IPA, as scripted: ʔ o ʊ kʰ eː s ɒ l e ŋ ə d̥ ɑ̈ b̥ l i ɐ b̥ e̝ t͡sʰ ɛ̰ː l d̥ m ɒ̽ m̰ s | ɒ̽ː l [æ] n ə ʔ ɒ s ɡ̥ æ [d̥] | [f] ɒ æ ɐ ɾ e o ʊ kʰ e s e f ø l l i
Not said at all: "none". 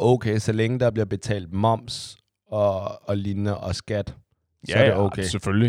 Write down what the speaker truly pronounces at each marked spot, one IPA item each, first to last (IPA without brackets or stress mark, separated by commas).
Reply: i, d̥, s